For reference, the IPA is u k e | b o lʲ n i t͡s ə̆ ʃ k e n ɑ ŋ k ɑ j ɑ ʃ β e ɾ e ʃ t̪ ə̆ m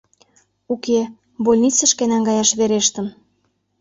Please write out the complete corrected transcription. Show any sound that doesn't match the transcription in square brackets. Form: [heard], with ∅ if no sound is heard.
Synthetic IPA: u k e | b o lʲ n i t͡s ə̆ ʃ k e n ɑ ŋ [ɡ] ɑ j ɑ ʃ β e ɾ e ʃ t̪ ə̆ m